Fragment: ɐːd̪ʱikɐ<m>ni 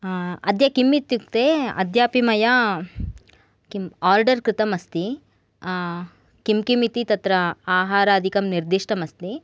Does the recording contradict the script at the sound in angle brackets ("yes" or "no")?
no